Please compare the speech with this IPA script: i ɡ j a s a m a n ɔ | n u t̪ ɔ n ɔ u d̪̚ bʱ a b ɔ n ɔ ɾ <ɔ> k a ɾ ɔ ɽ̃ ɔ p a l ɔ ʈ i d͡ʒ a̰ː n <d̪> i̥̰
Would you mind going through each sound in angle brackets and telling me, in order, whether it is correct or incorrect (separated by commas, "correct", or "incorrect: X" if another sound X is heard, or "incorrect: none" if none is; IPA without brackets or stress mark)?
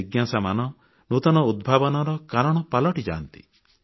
correct, incorrect: t̪